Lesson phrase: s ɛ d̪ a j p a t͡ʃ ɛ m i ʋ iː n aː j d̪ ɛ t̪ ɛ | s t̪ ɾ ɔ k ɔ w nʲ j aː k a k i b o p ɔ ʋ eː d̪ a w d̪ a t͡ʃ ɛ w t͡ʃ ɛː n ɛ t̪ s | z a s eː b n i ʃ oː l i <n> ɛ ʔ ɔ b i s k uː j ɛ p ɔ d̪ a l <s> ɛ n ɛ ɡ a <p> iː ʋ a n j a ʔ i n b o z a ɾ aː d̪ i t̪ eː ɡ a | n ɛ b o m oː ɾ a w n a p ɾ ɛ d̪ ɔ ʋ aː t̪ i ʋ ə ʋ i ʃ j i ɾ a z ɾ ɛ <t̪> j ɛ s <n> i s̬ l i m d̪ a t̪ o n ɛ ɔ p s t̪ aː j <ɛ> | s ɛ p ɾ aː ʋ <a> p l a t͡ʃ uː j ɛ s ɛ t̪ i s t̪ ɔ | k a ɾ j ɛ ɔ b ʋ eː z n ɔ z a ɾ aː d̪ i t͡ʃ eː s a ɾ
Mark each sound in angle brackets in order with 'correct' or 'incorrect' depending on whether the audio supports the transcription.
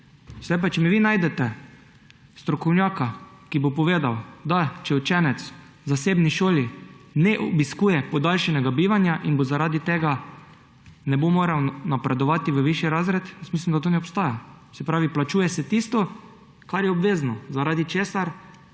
correct, incorrect: ʃ, incorrect: b, correct, incorrect: m, incorrect: a, incorrect: i

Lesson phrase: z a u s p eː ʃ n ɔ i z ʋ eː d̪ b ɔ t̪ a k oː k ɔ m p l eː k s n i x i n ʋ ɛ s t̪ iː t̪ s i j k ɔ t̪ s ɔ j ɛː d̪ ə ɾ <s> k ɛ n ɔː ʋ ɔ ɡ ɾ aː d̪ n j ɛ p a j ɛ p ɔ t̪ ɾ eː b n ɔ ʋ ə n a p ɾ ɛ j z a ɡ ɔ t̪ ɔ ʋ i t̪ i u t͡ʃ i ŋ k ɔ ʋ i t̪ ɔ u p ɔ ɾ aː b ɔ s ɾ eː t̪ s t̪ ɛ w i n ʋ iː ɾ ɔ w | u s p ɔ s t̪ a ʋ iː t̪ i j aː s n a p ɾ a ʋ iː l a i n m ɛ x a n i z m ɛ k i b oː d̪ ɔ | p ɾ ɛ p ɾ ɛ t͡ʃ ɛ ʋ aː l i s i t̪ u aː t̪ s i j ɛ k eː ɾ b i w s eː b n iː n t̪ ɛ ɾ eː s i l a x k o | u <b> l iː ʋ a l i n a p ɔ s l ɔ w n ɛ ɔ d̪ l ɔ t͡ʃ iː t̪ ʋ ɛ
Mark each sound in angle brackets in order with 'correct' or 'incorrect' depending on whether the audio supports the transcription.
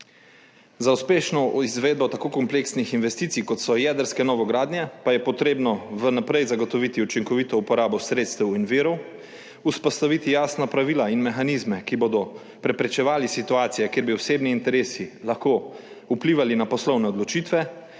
correct, incorrect: p

